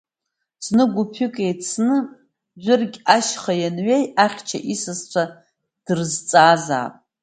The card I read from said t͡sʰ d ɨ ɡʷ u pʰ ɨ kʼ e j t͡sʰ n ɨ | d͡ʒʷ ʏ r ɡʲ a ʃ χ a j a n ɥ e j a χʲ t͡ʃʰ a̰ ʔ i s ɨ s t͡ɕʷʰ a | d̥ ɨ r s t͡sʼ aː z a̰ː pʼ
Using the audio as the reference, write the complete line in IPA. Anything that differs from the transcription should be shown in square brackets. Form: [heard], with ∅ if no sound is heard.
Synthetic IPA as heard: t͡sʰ [n] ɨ ɡʷ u pʰ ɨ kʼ e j t͡sʰ n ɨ | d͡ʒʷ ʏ r ɡʲ a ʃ χ a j a n ɥ e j a χʲ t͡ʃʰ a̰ ʔ i s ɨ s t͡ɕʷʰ a | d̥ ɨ r [z] t͡sʼ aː z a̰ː pʼ